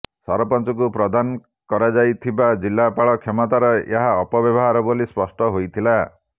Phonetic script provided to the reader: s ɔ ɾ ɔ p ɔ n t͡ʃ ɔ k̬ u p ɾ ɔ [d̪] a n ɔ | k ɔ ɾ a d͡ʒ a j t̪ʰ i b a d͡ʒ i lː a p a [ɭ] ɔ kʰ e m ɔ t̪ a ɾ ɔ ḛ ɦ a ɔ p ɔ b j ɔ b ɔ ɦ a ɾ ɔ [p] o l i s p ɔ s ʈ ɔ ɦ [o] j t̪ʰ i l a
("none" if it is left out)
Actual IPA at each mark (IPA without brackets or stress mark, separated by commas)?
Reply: d̪, ɭ, b, o